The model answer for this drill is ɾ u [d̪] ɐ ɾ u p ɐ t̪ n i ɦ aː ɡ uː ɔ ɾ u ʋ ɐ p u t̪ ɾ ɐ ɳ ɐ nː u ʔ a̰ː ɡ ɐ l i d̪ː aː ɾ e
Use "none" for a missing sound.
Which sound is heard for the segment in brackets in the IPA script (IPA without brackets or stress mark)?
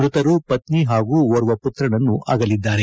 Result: t̪